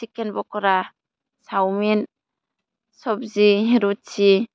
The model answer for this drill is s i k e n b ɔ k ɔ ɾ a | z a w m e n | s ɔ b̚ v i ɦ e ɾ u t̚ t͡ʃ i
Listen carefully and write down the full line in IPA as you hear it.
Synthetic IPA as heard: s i k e n b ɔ k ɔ ɾ a | s a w m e n | s ɔ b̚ z i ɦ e ɾ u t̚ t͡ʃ i